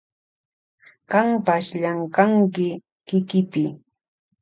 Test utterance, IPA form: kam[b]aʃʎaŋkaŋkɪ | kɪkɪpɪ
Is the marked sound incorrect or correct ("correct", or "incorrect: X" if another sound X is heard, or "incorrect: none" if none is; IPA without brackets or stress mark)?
incorrect: p